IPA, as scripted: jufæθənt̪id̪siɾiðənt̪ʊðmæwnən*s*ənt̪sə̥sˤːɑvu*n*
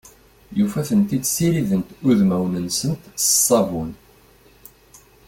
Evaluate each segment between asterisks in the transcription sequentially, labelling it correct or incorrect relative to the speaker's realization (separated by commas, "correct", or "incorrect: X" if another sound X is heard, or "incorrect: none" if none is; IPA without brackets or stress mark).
correct, correct